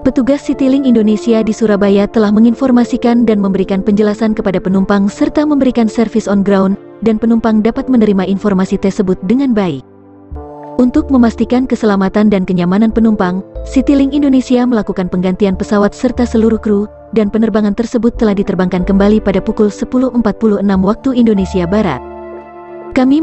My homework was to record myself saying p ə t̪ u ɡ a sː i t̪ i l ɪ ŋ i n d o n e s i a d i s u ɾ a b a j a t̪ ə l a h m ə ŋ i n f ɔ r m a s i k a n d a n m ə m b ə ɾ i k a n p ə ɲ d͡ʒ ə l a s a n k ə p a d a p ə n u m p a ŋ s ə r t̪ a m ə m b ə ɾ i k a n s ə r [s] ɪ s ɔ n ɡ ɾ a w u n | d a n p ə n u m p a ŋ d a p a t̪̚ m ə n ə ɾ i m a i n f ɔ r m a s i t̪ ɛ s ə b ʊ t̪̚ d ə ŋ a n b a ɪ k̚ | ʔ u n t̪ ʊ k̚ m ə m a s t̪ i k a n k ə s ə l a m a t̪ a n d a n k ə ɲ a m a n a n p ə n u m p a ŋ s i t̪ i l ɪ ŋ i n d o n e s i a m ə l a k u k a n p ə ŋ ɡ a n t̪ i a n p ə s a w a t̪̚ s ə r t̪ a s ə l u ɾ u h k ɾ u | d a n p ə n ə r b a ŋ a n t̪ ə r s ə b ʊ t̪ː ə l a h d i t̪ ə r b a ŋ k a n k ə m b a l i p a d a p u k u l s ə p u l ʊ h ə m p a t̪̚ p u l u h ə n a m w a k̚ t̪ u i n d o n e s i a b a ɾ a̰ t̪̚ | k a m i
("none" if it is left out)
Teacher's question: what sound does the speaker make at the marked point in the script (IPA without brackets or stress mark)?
f